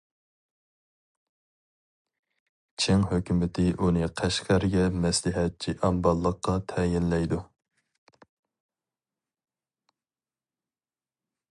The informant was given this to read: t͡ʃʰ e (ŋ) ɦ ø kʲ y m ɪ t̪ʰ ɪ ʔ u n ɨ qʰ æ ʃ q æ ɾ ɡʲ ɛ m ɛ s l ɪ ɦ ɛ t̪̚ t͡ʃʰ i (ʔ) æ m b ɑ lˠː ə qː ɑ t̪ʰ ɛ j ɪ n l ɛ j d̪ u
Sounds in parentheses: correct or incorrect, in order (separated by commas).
correct, correct